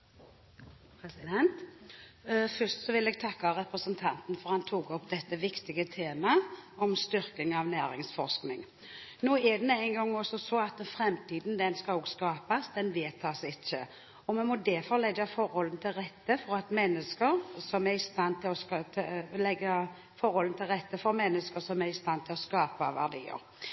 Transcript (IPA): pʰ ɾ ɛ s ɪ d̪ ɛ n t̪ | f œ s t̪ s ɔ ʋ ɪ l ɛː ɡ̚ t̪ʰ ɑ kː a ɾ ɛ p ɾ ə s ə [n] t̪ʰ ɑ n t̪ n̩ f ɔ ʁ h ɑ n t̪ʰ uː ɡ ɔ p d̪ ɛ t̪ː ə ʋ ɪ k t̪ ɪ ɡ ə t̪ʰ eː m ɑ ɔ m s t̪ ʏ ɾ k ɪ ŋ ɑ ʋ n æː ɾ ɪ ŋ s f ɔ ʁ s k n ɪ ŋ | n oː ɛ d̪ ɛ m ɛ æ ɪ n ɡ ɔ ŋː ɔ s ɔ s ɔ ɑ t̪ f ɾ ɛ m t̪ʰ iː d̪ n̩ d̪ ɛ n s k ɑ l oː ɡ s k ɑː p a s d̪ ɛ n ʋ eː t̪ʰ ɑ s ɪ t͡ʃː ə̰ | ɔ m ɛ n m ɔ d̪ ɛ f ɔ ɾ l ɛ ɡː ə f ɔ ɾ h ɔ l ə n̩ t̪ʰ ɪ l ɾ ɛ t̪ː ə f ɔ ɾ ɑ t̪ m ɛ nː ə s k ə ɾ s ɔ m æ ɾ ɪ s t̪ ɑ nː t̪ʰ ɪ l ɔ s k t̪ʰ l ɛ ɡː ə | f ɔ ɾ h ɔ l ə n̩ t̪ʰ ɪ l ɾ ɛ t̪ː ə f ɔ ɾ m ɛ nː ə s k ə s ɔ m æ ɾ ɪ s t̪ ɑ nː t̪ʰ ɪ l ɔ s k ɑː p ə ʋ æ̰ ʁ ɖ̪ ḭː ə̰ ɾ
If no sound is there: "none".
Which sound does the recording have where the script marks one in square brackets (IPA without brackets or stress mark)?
n